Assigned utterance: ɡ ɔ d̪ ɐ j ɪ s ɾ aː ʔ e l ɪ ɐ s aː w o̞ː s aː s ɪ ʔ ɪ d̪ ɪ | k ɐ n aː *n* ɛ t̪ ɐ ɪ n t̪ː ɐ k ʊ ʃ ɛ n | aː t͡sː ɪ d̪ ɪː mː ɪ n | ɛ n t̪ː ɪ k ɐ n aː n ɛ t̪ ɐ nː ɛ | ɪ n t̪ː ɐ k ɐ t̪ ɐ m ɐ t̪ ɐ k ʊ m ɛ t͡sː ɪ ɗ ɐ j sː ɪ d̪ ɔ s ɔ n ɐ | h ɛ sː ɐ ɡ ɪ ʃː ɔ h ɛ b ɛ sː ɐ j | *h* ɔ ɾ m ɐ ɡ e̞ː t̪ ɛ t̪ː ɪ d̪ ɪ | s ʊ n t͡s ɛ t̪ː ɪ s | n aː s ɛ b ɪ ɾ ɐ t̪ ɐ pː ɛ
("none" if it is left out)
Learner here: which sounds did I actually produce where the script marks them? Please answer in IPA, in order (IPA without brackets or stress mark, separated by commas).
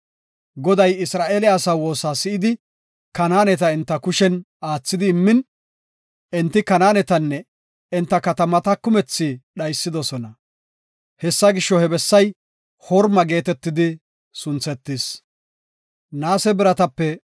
n, h